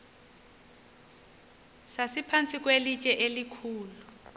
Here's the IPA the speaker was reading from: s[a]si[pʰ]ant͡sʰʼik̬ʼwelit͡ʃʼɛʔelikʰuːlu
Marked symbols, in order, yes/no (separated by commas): yes, yes